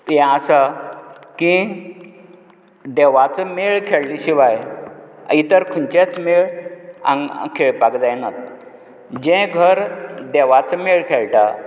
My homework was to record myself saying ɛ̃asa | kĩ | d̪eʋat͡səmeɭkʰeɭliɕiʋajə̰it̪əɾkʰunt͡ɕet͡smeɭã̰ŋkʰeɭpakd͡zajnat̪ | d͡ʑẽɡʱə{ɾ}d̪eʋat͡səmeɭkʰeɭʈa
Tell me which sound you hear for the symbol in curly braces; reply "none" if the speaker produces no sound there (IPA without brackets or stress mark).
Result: ɾ